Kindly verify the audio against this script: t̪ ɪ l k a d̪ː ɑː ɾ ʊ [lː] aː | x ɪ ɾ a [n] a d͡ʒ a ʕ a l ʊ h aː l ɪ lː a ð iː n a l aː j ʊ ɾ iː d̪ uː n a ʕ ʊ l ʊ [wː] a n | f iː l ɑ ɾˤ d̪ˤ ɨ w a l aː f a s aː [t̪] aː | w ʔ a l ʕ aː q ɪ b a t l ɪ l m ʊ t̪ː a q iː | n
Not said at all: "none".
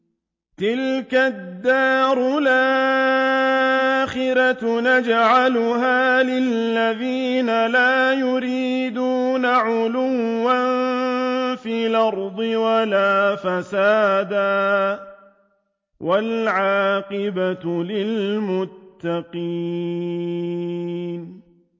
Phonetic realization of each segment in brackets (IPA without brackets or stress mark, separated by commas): l, n, wː, d̪